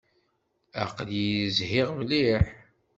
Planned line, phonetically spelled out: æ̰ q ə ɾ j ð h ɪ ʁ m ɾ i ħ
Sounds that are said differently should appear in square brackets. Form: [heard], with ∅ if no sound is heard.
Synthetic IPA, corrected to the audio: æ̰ q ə [l] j [z] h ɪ ʁ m [l] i ħ